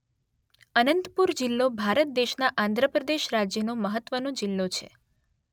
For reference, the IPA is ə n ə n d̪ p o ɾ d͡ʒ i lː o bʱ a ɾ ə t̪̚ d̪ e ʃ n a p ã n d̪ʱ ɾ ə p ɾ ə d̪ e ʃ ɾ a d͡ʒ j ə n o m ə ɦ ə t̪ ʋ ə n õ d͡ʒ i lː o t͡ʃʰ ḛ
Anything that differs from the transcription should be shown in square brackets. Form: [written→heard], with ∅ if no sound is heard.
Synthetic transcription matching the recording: ə n ə n [d̪→t̪] p [o→u] ɾ d͡ʒ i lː o bʱ a ɾ ə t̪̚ d̪ e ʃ n a [p→ʔ] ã n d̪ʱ ɾ ə p ɾ ə d̪ e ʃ ɾ a d͡ʒ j ə n o m ə ɦ ə t̪ ʋ ə n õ d͡ʒ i lː o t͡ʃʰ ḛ